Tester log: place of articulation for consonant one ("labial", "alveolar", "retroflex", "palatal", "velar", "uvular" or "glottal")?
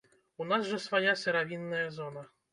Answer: alveolar